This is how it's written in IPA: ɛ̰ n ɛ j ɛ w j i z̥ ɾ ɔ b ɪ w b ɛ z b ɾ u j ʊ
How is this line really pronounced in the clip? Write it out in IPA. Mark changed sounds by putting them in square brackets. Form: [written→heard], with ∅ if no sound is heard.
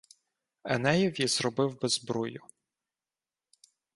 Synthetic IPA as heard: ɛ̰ n ɛ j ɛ w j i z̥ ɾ ɔ b ɪ w b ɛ z b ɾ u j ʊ